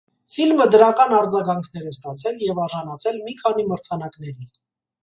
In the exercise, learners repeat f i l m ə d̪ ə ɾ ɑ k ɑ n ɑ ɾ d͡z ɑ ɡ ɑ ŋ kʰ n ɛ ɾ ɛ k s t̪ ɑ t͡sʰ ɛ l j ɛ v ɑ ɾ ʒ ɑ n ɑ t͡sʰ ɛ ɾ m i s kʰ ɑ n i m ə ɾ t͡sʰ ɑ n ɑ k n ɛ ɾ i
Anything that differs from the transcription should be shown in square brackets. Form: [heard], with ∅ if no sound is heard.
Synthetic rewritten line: f i l m ə d̪ ə ɾ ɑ k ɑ n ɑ ɾ d͡z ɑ ɡ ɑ ŋ kʰ n ɛ ɾ ɛ [∅] s t̪ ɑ t͡sʰ ɛ l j ɛ v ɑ ɾ ʒ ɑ n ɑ t͡sʰ ɛ [l] m i [∅] kʰ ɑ n i m ə ɾ t͡sʰ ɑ n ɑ k n ɛ ɾ i